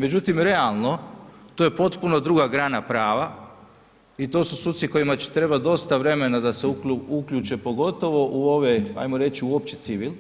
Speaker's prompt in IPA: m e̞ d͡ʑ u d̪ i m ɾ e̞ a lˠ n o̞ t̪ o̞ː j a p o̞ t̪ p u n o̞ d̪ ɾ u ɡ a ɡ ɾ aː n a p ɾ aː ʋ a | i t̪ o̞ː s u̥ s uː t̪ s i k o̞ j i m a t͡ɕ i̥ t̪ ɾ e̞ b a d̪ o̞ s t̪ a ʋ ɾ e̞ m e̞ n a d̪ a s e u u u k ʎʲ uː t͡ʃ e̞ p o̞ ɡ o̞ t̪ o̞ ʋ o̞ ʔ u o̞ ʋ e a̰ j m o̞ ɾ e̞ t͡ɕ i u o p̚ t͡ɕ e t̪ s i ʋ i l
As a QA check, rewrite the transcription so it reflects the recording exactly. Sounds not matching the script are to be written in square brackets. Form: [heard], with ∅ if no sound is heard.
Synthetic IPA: m e̞ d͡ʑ u [t̪] i m ɾ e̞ a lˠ n o̞ t̪ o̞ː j [e] p o̞ t̪ p u n o̞ d̪ ɾ u ɡ a ɡ ɾ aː n a p ɾ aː ʋ a | i t̪ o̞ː s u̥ s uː t̪ s i k o̞ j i m a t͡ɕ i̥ t̪ ɾ e̞ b a d̪ o̞ s t̪ a ʋ ɾ e̞ m e̞ n a d̪ a s e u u u k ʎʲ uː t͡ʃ e̞ p o̞ ɡ o̞ t̪ o̞ ʋ o̞ ʔ u o̞ ʋ e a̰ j m o̞ ɾ e̞ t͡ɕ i u o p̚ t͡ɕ e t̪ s i ʋ i l